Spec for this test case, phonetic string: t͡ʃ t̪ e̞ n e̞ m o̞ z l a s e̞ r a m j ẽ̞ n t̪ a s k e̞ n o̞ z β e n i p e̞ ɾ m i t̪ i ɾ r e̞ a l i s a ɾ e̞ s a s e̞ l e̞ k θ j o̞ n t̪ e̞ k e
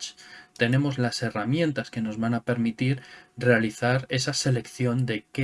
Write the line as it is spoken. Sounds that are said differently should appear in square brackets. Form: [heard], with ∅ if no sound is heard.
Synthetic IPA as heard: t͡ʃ t̪ e̞ n e̞ m o̞ z l a s e̞ r a m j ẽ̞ n t̪ a s k e̞ n o̞ z β [a] n [a] p e̞ ɾ m i t̪ i ɾ r e̞ a l i [θ] a ɾ e̞ s a s e̞ l e̞ k θ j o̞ n [d̪] e̞ k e